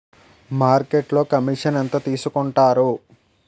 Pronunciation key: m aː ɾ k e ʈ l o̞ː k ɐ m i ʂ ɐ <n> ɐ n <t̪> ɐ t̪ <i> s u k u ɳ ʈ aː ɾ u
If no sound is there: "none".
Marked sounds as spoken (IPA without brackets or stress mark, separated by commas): n, t̪, iː